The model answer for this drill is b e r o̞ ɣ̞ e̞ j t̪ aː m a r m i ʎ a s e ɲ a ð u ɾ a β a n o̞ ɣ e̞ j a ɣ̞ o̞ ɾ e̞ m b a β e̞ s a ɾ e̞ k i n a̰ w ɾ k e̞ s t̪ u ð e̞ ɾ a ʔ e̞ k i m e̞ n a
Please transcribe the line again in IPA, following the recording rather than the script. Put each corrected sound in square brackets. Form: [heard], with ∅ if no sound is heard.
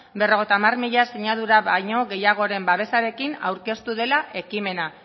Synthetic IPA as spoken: b e r o̞ ɣ̞ e̞ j t̪ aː m a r m i ʎ a s e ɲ a ð u ɾ a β a [ɲ] o̞ ɣ e̞ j a ɣ̞ o̞ ɾ e̞ m b a β e̞ s a ɾ e̞ k i n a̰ w ɾ k e̞ s t̪ u ð e̞ [l] a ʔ e̞ k i m e̞ n a